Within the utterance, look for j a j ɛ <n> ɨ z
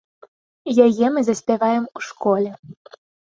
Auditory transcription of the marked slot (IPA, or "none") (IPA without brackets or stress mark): m